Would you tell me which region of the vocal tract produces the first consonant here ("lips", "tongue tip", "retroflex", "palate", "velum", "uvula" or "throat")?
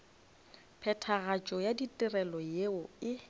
lips